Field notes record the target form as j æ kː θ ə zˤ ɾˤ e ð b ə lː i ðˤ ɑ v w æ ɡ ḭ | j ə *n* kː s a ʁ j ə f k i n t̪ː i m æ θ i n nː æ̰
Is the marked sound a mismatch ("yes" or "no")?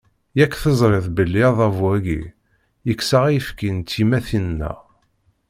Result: yes